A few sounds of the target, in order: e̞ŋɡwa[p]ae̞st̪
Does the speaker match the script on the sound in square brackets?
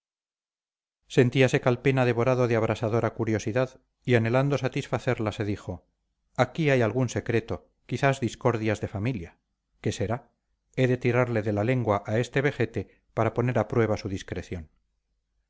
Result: no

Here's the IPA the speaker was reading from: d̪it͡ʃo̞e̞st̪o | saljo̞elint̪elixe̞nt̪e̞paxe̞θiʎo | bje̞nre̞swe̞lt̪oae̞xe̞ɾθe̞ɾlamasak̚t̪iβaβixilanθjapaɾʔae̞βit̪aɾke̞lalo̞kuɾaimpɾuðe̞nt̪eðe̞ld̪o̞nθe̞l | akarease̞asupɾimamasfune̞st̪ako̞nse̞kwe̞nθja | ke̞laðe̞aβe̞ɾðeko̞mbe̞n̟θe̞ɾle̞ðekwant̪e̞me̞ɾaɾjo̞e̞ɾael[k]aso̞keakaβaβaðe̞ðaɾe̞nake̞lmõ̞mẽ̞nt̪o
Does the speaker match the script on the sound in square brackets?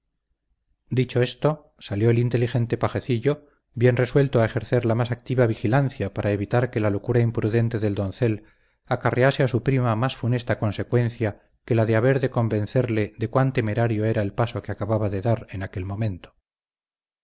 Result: no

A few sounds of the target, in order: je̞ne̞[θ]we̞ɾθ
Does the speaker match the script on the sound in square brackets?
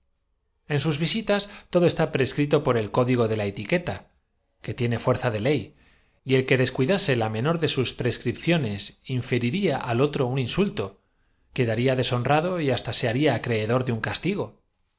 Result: no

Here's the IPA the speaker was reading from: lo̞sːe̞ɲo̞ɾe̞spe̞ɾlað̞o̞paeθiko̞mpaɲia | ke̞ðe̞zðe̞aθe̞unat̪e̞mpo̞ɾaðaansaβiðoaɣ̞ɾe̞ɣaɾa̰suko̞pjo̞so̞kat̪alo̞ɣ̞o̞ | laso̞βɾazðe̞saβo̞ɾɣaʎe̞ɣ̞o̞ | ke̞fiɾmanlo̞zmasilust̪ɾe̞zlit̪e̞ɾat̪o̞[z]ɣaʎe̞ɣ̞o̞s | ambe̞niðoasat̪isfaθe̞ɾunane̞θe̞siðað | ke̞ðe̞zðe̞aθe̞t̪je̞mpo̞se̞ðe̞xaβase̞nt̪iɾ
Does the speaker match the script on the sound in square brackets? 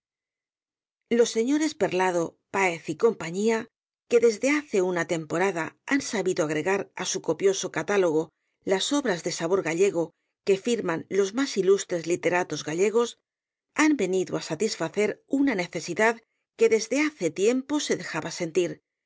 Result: yes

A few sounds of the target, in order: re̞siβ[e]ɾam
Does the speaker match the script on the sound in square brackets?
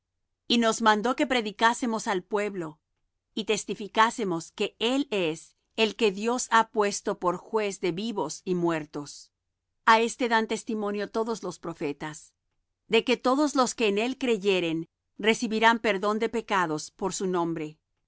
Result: no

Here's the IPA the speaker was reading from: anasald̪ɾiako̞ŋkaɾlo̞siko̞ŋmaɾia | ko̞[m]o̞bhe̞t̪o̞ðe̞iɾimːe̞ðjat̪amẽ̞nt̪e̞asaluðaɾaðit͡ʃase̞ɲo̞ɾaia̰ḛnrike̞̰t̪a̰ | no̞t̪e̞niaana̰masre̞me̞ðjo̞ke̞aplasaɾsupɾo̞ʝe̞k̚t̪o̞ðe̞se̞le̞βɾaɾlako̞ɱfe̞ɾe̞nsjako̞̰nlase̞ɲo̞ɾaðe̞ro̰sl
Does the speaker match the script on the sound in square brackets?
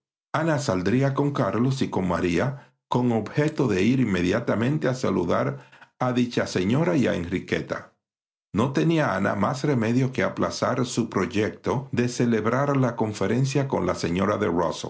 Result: no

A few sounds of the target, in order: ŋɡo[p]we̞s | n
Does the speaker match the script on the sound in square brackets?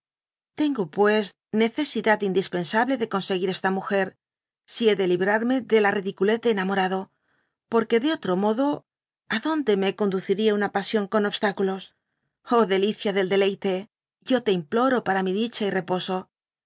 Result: yes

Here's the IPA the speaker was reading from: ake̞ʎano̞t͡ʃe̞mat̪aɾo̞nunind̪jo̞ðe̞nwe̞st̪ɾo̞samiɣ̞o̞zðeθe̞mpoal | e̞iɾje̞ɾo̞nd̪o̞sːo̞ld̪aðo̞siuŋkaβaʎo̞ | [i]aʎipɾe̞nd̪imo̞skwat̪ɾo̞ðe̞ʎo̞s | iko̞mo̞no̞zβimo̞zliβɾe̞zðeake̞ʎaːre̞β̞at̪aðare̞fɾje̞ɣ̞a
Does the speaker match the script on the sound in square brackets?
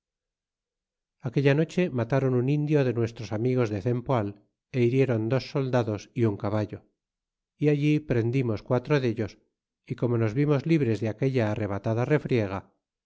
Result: yes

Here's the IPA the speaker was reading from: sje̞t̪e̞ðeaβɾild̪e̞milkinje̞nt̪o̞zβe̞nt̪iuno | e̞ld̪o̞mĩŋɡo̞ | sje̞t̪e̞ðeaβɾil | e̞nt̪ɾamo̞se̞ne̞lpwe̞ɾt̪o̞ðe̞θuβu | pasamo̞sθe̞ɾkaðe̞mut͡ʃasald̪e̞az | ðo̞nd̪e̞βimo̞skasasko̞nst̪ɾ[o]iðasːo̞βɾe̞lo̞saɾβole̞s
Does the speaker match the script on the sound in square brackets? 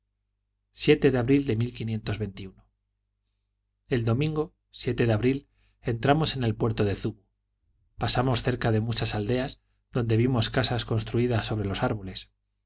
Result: no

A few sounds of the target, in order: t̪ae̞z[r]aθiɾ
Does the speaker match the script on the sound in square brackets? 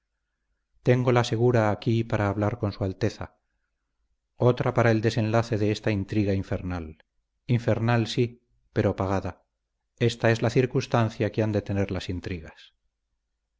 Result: no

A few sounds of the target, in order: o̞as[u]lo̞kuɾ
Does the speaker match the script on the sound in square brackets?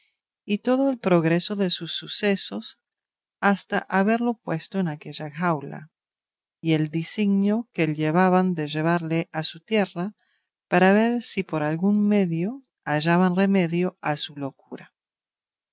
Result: yes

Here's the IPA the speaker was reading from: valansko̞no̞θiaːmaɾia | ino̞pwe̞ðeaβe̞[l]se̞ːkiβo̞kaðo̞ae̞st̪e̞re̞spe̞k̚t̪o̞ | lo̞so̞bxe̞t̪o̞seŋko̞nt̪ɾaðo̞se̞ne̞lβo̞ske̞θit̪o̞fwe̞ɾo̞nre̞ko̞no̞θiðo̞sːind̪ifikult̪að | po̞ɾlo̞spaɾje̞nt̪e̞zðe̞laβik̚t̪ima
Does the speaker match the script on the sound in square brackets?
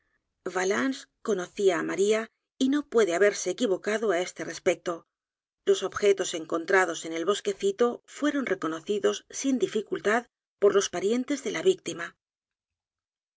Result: no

